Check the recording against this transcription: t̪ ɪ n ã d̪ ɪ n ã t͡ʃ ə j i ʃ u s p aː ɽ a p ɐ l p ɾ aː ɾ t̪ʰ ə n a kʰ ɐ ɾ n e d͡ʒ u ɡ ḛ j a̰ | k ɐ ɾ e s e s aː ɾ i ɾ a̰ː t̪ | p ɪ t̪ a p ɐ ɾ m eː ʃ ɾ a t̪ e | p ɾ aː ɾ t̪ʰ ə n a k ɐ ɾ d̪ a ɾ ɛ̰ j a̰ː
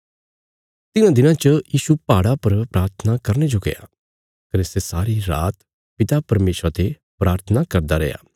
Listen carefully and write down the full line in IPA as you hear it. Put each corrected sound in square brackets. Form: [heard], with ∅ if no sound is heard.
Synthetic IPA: t̪ ɪ n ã d̪ ɪ n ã t͡ʃ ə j [iː] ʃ u [∅] p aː ɽ a p ɐ [ɾ] p ɾ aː ɾ t̪ʰ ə n a [k] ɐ ɾ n e d͡ʒ [o] ɡ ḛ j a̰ | k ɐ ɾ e s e s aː ɾ i ɾ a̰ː t̪ | p ɪ t̪ a p ɐ ɾ m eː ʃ ɾ a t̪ e | p ɾ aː ɾ t̪ʰ ə n a k ɐ ɾ d̪ a ɾ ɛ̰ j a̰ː

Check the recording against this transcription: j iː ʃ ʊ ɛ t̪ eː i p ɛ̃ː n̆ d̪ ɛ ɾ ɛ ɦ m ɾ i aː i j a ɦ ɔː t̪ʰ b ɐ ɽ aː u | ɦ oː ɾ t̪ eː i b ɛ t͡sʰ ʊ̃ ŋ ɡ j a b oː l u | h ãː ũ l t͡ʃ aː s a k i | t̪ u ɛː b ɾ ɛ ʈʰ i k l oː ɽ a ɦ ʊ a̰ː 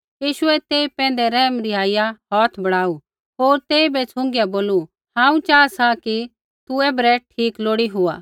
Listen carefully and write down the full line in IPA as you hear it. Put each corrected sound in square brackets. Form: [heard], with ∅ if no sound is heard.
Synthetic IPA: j iː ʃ ʊ ɛ t̪ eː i p ɛ̃ː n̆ d̪ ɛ ɾ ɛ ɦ m ɾ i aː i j a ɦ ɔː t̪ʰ b ɐ ɽ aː u | ɦ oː ɾ t̪ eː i b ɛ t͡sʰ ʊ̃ ŋ ɡ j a b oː l u | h ãː ũ [∅] t͡ʃ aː s a k i | t̪ u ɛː b ɾ ɛ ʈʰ [iː] k l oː ɽ [i] ɦ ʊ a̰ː

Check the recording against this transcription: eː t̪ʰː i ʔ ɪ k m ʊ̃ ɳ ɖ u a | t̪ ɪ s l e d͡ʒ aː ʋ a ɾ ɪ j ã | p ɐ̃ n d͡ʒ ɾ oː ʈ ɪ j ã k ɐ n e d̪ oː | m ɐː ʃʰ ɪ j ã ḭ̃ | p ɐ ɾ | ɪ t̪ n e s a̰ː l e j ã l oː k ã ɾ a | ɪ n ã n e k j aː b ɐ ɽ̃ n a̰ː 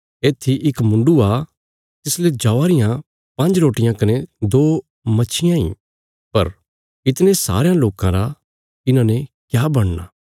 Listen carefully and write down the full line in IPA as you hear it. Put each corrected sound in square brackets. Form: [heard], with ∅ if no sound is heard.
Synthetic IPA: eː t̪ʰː i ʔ ɪ k m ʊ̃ ɳ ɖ u a | t̪ ɪ s l e d͡ʒ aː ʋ a ɾ ɪ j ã | p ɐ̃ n d͡ʒ ɾ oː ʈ ɪ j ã k ɐ n e d̪ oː | m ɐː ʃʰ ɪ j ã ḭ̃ | p ɐ ɾ | ɪ t̪ n e s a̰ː [ɾ] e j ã l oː k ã ɾ a | ɪ n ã n e k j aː b ɐ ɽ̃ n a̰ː

